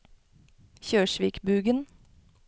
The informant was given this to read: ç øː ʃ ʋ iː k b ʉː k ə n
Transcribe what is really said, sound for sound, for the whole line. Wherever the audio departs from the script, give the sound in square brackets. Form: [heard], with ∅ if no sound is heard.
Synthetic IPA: ç øː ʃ ʋ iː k b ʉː [ɡ] ə n